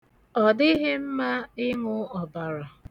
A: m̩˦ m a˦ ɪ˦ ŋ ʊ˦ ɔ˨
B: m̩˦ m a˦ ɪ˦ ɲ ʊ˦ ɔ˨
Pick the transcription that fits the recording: A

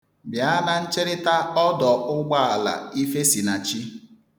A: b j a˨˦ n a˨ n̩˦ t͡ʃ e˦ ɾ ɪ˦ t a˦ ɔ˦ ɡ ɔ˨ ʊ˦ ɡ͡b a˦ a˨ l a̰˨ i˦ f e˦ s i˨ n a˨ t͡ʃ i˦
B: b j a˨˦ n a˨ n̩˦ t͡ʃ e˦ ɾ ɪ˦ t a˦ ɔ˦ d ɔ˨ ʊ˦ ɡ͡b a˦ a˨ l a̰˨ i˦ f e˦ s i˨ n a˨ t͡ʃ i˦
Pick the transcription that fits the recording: B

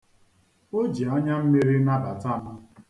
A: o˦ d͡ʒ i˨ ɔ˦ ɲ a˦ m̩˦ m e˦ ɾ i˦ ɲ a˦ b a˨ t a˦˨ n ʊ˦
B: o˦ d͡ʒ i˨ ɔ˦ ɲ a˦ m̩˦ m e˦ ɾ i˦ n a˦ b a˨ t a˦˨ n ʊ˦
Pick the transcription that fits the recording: B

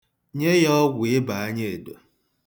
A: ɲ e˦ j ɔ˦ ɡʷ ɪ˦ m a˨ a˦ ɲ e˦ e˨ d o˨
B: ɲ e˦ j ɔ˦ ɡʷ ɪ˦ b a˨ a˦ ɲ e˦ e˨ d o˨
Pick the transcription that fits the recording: B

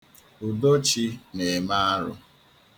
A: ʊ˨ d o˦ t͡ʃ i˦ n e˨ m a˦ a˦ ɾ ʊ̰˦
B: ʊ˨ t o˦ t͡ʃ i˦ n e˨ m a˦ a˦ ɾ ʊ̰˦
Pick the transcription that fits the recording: A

